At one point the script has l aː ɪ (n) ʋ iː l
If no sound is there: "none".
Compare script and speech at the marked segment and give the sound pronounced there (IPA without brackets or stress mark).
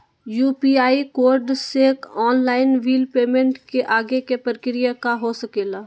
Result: n